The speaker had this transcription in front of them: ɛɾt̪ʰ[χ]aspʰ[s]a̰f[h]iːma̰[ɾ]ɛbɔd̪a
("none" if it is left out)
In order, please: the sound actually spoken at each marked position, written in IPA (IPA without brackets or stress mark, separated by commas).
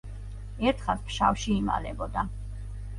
χ, ʃ, ʃ, l